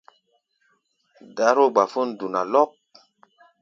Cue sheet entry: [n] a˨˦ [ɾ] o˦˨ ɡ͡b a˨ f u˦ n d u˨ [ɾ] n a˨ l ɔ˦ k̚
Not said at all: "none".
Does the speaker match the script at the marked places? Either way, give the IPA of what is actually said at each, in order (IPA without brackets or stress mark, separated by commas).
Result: d, ɾ, none